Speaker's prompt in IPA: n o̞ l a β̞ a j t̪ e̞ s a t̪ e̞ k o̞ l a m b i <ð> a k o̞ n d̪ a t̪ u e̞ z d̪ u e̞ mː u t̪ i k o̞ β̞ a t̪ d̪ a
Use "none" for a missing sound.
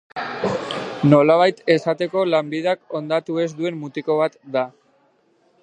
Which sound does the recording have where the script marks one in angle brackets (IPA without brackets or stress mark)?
ð